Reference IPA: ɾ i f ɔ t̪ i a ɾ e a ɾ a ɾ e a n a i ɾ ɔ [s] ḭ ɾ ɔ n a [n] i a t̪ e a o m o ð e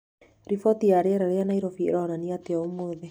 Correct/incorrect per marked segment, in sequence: incorrect: f, correct

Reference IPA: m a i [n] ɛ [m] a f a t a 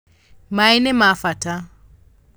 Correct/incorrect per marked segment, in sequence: correct, correct

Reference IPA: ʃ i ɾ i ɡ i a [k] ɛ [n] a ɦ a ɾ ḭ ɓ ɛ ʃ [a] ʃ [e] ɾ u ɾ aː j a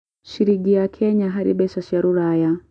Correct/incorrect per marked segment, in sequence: incorrect: kʰ, incorrect: ɲ, correct, incorrect: a

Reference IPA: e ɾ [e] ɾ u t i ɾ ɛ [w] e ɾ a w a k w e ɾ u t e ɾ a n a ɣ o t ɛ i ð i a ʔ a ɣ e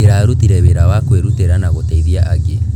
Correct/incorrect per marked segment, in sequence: incorrect: a, incorrect: β

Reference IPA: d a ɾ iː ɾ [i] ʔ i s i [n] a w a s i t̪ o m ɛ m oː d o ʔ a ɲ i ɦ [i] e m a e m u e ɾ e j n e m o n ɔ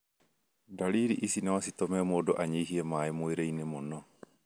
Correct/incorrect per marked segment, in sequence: correct, correct, correct

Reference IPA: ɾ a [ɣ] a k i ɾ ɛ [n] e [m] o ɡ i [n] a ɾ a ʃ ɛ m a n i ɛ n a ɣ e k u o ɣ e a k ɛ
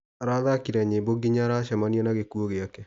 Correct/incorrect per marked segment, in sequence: incorrect: ð, incorrect: ɲ, incorrect: b, incorrect: ɲ

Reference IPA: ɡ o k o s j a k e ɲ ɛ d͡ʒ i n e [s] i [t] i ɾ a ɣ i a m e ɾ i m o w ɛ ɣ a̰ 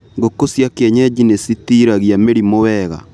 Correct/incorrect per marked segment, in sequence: correct, correct

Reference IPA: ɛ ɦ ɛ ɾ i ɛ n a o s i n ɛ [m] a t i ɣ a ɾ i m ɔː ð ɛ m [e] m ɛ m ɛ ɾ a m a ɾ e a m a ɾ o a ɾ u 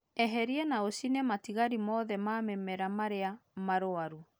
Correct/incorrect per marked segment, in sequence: correct, incorrect: a

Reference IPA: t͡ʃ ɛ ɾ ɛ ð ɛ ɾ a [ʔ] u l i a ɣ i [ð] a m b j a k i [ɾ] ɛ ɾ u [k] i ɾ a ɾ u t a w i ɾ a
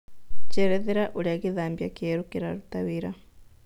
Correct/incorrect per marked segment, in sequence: correct, correct, incorrect: none, correct

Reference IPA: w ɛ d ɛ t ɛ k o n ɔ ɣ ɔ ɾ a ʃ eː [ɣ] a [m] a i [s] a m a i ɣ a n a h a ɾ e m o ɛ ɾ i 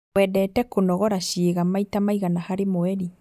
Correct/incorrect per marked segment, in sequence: correct, correct, incorrect: t

